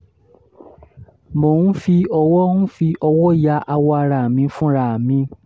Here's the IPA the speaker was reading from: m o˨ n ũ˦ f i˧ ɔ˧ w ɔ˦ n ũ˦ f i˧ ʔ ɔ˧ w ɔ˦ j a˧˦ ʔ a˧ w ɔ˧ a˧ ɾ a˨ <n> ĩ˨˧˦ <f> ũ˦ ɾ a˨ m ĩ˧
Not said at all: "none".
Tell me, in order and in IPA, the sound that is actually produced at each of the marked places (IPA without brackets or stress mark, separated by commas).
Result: m, f